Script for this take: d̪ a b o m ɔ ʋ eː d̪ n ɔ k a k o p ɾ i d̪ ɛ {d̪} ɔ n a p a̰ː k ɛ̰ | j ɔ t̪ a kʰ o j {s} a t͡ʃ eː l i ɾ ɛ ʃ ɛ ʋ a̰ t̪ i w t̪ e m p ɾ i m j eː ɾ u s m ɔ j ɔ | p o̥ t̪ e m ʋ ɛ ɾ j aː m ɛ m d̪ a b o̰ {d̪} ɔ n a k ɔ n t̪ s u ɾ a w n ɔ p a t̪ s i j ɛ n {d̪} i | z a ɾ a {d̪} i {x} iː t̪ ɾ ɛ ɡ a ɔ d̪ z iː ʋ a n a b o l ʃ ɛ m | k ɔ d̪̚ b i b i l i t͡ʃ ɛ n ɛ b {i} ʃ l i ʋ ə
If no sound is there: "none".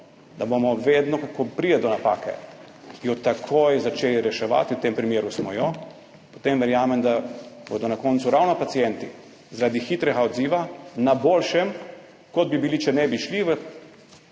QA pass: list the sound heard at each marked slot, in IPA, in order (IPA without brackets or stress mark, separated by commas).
d̪, z, d̪, t̪, d̪, x, i